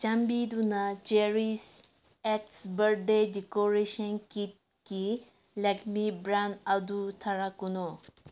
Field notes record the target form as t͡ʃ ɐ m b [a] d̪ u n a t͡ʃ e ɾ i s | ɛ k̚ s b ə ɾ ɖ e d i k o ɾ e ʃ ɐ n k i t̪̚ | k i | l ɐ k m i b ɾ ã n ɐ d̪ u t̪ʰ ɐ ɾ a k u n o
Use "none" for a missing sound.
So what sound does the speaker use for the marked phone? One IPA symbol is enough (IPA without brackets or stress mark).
i